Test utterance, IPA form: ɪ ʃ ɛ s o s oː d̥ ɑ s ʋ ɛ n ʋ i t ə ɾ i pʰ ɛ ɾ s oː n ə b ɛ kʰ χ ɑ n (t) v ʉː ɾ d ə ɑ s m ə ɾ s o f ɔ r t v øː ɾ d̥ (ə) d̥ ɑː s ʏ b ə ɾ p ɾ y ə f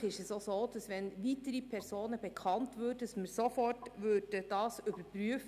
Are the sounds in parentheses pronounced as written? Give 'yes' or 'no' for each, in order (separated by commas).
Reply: yes, yes